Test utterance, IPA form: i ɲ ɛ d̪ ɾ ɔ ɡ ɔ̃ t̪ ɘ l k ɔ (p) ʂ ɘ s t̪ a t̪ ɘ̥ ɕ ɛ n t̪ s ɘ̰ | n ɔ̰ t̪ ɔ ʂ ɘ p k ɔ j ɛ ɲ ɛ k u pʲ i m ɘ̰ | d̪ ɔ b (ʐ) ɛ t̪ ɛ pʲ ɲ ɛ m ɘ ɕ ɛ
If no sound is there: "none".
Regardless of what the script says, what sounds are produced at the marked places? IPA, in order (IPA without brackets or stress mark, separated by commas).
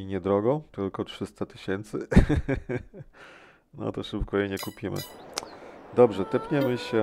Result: t, ʐ